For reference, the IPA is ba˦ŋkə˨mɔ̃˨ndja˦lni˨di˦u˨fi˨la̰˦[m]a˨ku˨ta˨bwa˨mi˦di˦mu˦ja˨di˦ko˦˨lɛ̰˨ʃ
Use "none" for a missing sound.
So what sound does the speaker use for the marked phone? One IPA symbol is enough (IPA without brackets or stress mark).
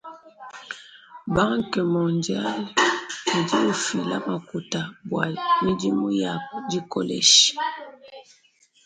m